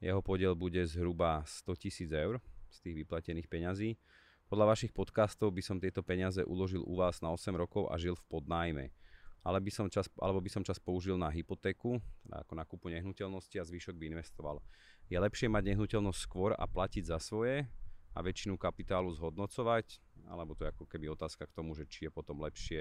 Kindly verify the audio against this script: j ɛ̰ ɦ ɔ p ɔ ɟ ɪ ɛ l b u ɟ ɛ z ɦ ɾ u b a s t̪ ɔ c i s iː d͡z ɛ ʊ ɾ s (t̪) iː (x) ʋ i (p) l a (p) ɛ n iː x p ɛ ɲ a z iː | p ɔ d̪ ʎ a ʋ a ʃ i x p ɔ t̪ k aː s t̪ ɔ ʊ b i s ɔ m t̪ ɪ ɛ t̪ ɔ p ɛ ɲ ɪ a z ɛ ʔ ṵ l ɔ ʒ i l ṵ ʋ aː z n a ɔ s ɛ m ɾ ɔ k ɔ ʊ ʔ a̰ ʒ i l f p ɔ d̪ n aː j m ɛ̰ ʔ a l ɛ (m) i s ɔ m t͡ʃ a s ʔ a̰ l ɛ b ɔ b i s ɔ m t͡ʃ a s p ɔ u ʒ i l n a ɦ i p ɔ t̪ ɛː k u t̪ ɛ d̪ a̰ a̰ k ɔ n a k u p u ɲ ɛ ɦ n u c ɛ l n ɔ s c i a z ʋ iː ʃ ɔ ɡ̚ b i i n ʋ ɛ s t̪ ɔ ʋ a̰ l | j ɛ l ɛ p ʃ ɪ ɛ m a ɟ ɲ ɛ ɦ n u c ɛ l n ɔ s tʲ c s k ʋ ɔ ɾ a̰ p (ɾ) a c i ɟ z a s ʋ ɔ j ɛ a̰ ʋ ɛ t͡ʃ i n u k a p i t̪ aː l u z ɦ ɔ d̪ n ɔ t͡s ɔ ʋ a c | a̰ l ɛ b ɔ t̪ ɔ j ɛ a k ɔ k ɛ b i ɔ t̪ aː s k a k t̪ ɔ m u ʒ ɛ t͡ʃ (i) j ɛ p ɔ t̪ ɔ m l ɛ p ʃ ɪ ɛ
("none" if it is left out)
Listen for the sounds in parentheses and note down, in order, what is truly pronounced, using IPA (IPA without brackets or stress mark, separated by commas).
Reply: t̪, ɣ, p, c, b, l, i